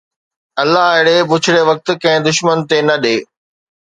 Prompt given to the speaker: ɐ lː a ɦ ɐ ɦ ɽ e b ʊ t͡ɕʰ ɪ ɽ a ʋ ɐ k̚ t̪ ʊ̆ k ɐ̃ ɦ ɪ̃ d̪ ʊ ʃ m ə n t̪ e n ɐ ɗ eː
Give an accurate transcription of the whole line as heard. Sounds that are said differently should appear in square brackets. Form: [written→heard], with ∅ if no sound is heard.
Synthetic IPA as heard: ɐ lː a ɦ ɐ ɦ ɽ e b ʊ t͡ɕʰ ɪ ɽ [a→e] ʋ ɐ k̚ t̪ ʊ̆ k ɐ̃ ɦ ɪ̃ d̪ ʊ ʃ m ə n t̪ e n ɐ ɗ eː